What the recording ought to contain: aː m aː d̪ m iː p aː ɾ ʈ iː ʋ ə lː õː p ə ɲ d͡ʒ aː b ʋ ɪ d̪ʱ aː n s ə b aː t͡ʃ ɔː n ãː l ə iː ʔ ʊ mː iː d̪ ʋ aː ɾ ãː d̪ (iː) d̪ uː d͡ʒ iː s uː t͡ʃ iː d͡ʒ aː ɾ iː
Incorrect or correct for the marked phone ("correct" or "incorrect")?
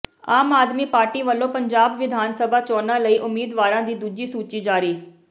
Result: correct